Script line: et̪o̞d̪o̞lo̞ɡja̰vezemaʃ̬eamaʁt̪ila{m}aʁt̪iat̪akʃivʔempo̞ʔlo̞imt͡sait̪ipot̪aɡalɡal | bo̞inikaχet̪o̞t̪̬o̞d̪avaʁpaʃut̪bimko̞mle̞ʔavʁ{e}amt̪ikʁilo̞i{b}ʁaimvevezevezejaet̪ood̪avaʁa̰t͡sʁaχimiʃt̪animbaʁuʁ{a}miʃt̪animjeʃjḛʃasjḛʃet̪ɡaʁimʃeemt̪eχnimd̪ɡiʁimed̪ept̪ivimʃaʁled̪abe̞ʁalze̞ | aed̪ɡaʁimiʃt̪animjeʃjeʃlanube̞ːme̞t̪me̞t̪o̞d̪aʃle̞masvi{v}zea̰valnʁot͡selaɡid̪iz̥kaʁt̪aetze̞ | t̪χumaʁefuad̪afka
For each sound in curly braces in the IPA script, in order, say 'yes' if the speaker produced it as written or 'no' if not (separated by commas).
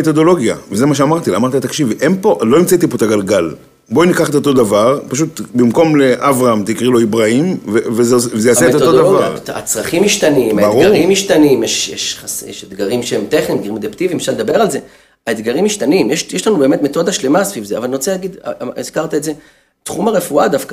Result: yes, no, yes, no, yes